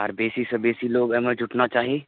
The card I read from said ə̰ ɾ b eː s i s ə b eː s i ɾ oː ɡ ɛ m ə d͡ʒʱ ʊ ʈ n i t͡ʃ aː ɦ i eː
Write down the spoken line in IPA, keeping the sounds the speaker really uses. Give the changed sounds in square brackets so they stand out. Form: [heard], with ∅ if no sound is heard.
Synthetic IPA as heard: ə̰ ɾ b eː s i s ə b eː s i [l] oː ɡ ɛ m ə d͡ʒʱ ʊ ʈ n [a] t͡ʃ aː ɦ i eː